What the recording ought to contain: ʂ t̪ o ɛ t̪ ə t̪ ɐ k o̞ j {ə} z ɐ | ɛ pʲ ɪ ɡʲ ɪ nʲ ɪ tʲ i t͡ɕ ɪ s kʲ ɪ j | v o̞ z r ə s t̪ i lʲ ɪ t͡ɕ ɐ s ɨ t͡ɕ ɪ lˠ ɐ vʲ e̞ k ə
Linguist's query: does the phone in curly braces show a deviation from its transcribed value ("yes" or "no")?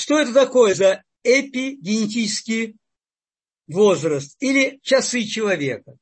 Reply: no